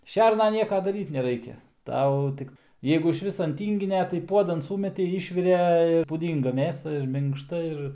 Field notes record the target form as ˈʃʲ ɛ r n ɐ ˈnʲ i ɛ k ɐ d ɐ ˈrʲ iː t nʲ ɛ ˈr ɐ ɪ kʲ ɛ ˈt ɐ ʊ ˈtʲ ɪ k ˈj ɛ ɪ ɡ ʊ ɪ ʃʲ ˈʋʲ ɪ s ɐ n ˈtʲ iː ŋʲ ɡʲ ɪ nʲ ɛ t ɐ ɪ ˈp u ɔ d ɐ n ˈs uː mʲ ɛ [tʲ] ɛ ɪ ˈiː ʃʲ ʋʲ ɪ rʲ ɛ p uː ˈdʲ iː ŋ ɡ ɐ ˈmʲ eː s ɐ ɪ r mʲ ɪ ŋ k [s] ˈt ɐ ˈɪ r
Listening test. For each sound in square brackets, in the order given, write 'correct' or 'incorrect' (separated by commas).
correct, incorrect